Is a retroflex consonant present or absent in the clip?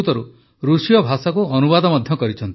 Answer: absent